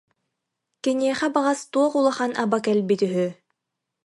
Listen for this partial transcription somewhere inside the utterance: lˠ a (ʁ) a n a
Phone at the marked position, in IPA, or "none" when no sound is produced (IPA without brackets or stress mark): χ